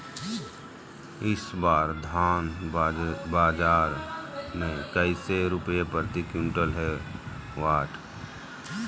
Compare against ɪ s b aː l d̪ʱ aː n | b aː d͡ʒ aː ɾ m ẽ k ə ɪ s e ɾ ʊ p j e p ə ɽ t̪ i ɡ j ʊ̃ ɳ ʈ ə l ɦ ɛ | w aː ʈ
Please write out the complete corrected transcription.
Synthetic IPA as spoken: ɪ s b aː ɾ d̪ʱ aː n | b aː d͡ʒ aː ɾ m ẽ k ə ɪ s e ɾ ʊ p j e p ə ɾ t̪ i k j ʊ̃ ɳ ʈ ə l ɦ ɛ | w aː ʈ